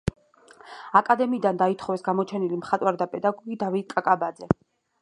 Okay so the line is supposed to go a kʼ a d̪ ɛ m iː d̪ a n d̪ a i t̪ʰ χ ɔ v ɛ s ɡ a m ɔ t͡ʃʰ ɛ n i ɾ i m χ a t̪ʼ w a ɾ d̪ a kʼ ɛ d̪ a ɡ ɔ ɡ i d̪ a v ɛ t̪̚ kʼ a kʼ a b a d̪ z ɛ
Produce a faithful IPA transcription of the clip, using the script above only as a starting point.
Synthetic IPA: a kʼ a d̪ ɛ m iː d̪ a n d̪ a i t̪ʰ χ ɔ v ɛ s ɡ a m ɔ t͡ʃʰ ɛ n i l i m χ a t̪ʼ w a ɾ d̪ a pʼ ɛ d̪ a ɡ ɔ ɡ i d̪ a v i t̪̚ kʼ a kʼ a b a d̪ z ɛ